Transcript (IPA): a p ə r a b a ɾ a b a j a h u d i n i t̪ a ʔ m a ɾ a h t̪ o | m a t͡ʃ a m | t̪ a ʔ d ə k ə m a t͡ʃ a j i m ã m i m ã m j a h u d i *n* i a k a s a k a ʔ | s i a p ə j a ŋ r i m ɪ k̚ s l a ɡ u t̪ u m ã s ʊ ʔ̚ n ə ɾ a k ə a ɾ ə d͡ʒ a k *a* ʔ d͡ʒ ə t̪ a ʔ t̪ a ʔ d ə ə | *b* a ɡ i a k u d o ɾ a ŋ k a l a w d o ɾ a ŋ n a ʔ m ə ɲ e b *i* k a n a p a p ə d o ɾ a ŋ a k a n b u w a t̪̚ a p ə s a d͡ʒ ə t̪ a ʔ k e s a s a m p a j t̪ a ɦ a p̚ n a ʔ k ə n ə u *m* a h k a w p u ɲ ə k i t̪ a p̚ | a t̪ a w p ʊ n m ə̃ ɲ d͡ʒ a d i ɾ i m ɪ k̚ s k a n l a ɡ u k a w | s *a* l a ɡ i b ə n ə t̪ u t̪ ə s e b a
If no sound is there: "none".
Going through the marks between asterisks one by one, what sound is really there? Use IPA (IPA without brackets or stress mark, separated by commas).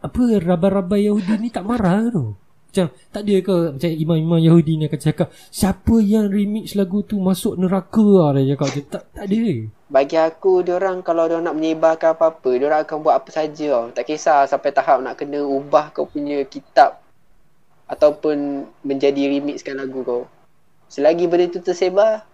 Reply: n, a, b, a, b, ə